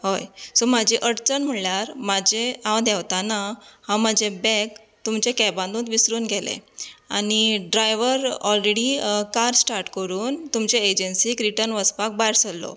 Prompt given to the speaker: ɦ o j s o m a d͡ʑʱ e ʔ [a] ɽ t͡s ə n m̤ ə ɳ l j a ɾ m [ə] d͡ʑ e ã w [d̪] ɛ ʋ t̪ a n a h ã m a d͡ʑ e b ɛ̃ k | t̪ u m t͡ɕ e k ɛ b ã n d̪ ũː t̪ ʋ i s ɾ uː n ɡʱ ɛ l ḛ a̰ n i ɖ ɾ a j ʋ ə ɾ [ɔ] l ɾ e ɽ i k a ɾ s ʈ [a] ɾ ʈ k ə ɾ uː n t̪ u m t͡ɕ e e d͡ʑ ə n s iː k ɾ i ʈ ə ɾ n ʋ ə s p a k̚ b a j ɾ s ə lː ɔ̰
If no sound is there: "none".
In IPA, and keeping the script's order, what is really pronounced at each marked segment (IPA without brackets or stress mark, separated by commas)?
ə, a, d̪, ɔ, a